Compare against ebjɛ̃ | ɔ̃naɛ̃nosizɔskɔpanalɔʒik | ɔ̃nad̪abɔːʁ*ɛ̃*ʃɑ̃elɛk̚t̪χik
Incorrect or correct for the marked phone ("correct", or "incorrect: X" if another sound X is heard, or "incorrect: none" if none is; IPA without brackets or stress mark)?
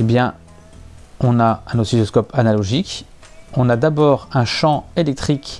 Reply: correct